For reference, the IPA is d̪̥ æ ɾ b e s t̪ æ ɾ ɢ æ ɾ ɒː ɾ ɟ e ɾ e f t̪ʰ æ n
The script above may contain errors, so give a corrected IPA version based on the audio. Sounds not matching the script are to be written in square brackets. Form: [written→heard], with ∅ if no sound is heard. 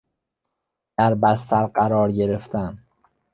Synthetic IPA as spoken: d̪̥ æ ɾ b [e→æ] s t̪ æ ɾ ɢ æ ɾ ɒː ɾ ɟ e ɾ e f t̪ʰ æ n